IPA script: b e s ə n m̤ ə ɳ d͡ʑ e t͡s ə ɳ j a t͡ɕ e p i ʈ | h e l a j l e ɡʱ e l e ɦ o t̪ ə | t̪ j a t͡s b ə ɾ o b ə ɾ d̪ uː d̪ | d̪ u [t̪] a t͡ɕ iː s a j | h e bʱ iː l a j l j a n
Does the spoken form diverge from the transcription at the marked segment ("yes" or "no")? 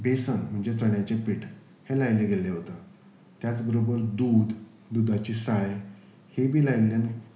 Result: yes